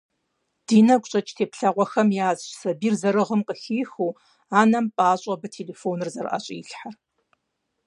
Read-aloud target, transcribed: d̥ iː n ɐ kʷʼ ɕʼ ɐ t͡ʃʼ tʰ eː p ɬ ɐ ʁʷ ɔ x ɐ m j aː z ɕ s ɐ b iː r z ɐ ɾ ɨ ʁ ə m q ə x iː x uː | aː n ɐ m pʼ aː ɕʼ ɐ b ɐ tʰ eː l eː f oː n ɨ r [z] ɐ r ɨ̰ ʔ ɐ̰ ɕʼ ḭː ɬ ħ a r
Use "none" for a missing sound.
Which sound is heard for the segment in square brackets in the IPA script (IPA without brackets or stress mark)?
z